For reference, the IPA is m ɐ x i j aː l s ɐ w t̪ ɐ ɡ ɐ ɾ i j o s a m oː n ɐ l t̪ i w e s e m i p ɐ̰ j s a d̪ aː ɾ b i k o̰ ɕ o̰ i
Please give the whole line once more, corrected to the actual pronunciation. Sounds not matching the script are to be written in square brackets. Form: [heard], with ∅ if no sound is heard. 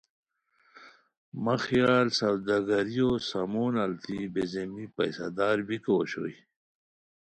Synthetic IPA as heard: m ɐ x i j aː l s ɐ w [d̪] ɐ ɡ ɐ ɾ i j o s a m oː n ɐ l t̪ i [b] e [z] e m i p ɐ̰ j s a d̪ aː ɾ b i k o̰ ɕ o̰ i